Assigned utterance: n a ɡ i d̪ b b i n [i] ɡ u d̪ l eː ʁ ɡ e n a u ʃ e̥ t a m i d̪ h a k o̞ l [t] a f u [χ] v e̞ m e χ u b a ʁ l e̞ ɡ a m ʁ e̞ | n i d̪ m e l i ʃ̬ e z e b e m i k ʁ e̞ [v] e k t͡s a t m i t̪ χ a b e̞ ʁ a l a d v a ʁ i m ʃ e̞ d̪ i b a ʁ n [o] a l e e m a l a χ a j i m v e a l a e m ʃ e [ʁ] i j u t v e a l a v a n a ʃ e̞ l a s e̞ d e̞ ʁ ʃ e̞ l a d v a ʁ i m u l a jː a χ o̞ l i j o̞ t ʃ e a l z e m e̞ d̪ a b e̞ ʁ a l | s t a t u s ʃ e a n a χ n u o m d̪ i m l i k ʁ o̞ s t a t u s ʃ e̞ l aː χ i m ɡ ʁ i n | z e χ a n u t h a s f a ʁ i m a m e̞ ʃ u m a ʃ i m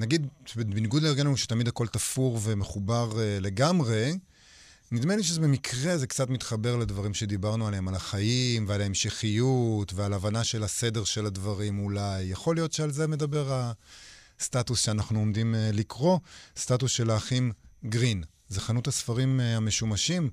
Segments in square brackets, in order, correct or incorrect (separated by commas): correct, correct, incorrect, incorrect, incorrect, incorrect